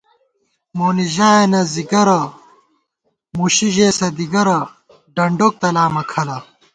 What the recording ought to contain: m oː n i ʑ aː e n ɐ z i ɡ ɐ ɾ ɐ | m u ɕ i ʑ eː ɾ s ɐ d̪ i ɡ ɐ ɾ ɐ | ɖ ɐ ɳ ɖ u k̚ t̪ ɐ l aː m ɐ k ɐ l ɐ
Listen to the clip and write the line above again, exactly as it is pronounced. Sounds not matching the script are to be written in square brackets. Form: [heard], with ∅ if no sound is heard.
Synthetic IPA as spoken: m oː n i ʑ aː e n ɐ z i ɡ ɐ ɾ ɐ | m u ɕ i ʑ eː [∅] s ɐ d̪ i ɡ ɐ ɾ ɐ | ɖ ɐ ɳ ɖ [o] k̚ t̪ ɐ l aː m ɐ [kʰ] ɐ l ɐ